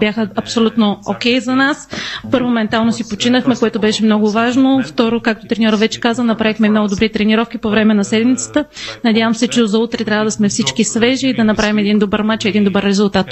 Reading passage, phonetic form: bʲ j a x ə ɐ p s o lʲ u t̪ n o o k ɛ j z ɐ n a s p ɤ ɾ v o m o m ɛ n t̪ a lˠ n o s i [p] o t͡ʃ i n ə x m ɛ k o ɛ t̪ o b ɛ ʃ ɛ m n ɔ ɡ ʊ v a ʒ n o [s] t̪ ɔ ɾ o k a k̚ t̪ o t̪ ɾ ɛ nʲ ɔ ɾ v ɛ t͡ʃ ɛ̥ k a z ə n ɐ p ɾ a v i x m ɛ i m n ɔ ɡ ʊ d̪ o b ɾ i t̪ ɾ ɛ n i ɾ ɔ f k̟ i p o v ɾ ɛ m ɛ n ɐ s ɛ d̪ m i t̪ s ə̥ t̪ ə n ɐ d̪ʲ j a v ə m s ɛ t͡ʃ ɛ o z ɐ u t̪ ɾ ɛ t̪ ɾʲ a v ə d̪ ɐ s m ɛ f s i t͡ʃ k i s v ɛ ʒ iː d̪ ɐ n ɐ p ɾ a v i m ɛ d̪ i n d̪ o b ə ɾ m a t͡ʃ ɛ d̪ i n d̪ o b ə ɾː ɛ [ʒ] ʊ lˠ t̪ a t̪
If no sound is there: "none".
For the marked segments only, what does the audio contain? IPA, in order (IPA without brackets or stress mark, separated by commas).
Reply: p, f, z